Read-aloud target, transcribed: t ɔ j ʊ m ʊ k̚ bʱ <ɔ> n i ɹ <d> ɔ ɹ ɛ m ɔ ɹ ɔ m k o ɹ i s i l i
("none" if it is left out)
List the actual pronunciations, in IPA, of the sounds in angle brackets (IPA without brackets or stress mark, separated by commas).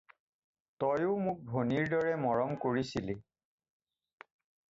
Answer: o, d